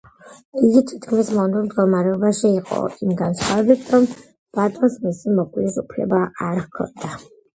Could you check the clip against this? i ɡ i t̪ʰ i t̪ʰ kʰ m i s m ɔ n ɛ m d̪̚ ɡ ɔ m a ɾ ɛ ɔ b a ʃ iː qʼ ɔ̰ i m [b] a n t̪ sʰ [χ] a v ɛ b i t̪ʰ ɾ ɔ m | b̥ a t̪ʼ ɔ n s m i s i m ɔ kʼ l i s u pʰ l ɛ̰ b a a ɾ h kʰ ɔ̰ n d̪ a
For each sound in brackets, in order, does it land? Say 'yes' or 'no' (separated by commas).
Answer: no, yes